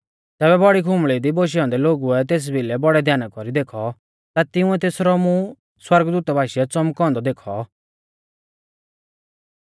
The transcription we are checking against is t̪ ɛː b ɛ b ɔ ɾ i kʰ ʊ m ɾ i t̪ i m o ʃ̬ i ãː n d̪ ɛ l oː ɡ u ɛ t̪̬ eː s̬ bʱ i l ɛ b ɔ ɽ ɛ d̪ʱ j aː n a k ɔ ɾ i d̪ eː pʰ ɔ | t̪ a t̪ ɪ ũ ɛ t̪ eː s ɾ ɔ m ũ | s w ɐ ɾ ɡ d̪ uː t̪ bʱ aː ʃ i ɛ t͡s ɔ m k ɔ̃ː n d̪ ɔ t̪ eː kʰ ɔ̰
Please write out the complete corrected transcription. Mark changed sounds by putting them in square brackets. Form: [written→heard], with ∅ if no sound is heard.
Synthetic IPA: t̪ ɛː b ɛ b ɔ [ɾ→ɽ] i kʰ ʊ m [ɾ→ɭ] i [t̪→d̪] i [m→b] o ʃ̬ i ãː n d̪ ɛ l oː ɡ u ɛ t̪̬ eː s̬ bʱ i l ɛ b ɔ ɽ ɛ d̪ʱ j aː n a k ɔ ɾ i d̪ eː [pʰ→kʰ] ɔ | t̪ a t̪ ɪ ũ ɛ t̪ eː s ɾ ɔ m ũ | s w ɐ ɾ ɡ d̪ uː t̪ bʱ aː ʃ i ɛ t͡s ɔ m k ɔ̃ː n d̪ ɔ [t̪→d̪] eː kʰ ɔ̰